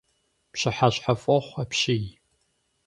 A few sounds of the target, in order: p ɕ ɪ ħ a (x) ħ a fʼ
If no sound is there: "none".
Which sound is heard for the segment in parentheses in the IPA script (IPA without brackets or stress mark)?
ɕ